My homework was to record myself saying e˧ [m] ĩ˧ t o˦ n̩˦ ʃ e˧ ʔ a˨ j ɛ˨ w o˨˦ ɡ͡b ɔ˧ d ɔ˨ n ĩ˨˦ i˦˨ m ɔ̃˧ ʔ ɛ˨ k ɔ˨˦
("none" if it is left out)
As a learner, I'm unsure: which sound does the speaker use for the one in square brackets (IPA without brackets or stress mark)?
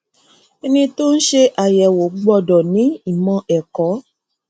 n